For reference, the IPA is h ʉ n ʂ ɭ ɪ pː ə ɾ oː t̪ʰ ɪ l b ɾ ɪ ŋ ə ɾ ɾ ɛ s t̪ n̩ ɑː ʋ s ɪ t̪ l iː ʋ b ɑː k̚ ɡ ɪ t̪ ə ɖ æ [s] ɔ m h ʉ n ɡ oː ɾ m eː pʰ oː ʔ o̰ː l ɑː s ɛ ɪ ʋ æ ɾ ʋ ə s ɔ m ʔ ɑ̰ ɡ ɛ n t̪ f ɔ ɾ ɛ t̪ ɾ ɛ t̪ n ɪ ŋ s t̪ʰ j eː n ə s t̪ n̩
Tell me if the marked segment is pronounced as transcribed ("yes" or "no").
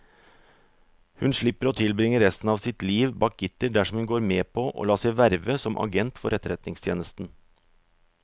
no